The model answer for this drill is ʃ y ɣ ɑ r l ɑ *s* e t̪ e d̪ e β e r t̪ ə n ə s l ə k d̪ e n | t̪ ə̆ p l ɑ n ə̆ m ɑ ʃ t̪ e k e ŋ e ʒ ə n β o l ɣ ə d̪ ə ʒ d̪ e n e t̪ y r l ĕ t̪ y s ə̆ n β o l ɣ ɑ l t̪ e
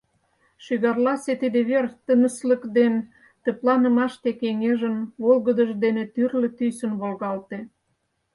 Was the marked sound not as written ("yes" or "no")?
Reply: no